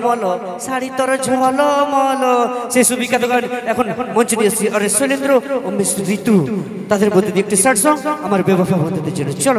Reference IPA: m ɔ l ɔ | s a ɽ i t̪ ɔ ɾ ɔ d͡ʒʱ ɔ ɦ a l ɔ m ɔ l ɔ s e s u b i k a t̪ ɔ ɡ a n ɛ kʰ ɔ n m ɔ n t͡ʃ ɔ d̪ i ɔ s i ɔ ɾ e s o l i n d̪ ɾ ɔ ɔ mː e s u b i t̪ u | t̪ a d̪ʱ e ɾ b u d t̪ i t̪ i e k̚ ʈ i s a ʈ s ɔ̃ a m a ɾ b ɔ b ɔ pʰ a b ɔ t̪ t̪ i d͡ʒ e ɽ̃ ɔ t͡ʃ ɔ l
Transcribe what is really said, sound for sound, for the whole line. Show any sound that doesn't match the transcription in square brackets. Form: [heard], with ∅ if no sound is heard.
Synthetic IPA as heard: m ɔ l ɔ | s a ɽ i t̪ ɔ ɾ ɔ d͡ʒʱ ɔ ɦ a l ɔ m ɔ l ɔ s e s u b i k a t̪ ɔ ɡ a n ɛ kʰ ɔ n m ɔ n t͡ʃ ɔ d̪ i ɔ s i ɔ ɾ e s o l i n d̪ ɾ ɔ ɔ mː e s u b i t̪ u | t̪ a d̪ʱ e ɾ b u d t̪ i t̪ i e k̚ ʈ i s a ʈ s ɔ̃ a m a ɾ b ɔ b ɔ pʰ a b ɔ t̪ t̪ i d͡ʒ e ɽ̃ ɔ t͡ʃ ɔ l